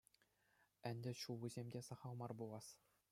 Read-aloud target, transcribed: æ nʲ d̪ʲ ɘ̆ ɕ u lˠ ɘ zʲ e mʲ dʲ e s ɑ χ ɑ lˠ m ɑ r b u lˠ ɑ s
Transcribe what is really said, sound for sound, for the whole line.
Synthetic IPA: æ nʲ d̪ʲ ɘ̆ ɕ u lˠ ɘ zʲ e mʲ dʲ e s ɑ χ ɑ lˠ m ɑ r b u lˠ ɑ s